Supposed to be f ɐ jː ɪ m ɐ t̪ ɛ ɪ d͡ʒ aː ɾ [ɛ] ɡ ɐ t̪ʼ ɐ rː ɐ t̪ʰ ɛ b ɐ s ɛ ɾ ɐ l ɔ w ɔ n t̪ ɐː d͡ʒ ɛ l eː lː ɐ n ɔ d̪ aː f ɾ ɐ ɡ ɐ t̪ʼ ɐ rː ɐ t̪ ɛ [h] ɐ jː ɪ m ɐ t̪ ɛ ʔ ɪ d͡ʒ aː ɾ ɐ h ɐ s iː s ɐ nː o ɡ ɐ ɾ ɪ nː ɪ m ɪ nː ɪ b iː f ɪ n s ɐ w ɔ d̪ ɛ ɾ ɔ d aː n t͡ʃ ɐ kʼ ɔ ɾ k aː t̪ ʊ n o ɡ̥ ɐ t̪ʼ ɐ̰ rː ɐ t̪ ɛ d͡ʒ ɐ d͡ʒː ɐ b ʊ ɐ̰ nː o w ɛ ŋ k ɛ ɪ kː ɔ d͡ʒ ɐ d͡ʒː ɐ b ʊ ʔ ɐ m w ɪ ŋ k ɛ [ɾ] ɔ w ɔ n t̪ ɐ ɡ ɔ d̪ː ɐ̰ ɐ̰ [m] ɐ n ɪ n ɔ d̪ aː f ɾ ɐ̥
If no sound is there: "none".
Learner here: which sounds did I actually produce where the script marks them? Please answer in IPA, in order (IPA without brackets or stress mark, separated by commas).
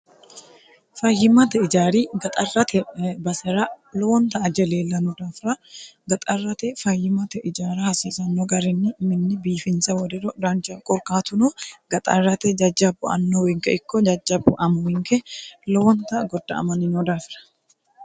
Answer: i, f, l, m